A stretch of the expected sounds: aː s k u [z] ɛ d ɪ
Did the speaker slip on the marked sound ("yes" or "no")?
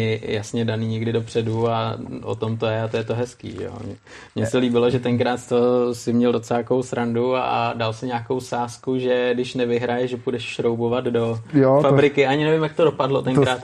yes